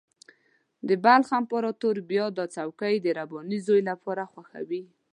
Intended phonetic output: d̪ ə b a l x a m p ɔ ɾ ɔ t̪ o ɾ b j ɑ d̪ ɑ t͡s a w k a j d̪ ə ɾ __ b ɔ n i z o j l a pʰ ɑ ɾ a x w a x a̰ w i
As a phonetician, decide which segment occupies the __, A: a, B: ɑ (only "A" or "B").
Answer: A